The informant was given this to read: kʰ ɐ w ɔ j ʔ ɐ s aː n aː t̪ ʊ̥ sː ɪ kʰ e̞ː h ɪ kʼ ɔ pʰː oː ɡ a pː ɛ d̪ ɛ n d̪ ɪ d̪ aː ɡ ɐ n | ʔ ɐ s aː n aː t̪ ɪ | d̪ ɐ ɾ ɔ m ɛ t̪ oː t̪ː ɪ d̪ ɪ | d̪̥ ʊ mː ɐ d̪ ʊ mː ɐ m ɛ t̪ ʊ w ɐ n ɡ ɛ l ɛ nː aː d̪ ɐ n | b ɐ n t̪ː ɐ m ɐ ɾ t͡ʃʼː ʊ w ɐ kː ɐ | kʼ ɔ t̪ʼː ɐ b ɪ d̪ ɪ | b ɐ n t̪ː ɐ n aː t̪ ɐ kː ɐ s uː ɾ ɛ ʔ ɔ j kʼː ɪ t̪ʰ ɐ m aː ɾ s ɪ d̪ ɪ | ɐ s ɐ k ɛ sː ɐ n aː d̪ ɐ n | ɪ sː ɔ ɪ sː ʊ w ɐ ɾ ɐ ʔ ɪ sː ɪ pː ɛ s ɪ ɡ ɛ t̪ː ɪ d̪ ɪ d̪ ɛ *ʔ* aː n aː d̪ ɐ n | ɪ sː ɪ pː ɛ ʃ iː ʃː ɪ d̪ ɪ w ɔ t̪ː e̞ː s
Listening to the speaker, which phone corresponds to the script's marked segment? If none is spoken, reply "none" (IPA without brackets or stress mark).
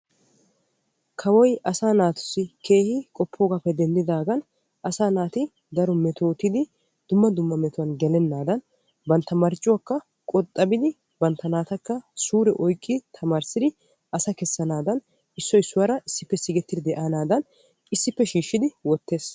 ʔ